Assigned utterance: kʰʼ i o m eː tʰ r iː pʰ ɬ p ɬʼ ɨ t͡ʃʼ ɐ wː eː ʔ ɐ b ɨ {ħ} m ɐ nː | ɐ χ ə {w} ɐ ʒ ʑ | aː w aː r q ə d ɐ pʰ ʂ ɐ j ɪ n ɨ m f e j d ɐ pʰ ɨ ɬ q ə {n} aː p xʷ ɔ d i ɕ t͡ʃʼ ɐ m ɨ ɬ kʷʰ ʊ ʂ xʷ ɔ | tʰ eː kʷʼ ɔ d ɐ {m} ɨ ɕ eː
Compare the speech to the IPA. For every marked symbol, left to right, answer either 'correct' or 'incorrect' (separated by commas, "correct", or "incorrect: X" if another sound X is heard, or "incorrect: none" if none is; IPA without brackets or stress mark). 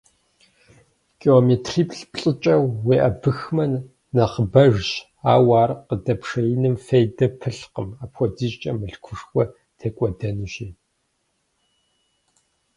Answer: incorrect: x, incorrect: b, incorrect: m, incorrect: n